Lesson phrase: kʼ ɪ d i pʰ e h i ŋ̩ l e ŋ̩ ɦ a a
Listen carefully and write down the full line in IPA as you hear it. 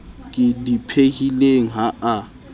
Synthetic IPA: kʼ ɪ d i pʰ e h i l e ŋ̩ ɦ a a